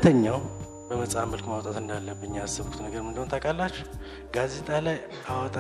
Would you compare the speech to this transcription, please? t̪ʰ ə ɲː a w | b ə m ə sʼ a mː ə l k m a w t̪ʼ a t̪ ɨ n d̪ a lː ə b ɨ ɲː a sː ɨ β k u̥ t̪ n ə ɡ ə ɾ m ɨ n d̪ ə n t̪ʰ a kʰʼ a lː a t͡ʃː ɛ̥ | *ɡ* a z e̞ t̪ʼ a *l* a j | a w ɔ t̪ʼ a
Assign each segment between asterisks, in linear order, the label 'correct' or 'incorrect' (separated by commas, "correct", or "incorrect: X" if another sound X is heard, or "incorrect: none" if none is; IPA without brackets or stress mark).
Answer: correct, correct